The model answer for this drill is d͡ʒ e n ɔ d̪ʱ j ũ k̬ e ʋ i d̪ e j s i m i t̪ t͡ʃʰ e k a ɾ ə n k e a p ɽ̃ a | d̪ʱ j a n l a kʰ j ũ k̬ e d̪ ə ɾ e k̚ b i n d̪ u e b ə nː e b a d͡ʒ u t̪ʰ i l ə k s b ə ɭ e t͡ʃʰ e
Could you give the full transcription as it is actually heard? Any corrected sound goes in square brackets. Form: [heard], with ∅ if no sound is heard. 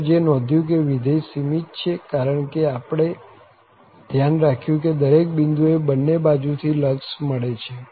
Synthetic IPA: d͡ʒ e n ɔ d̪ʱ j ũ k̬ e ʋ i d̪ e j s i m i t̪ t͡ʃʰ e k a ɾ ə [ɳ] k e a p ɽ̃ [e] | d̪ʱ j a n [ɾ] a kʰ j ũ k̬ e d̪ ə ɾ e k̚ b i n d̪ u e b ə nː e b a d͡ʒ u t̪ʰ i l ə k s [m] ə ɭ e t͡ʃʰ e